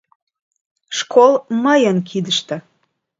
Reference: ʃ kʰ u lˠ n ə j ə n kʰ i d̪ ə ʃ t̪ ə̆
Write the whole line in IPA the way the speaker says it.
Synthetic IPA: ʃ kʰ o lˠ m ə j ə n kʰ i d̪ ə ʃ t̪ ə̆